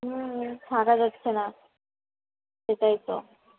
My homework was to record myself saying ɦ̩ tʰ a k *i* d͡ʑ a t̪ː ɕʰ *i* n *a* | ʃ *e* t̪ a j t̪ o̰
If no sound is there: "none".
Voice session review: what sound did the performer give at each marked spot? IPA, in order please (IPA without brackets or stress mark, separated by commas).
a, e, a, e